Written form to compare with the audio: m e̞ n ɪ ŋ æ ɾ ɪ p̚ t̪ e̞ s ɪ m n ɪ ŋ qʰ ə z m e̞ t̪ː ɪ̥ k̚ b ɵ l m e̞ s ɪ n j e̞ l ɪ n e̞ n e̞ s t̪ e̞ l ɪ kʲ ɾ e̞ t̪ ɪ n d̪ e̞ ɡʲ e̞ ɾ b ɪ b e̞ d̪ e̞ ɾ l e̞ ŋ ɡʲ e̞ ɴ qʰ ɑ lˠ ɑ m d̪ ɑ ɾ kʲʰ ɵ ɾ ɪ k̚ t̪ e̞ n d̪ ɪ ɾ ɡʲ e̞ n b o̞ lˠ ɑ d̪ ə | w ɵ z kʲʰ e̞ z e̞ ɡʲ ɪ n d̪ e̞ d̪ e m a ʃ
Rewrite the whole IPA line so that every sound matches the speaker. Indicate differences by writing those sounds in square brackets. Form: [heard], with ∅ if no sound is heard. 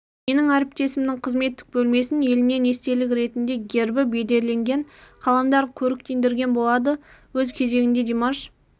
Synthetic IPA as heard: m e̞ n ɪ ŋ æ ɾ ɪ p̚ t̪ e̞ s ɪ m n ɪ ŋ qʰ ə z m e̞ t̪ː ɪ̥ k̚ b ɵ l m e̞ s ɪ n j e̞ l ɪ n e̞ n e̞ s t̪ e̞ l ɪ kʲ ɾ e̞ t̪ ɪ n d̪ e̞ ɡʲ e̞ ɾ b ɪ b e̞ d̪ e̞ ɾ l e̞ ŋ ɡʲ e̞ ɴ qʰ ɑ lˠ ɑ m d̪ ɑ ɾ kʲʰ ɵ ɾ ɪ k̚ t̪ e̞ n d̪ ɪ ɾ ɡʲ e̞ n b o̞ lˠ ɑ d̪ ə | w ɵ z kʲʰ e̞ z e̞ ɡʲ ɪ n d̪ e̞ d̪ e m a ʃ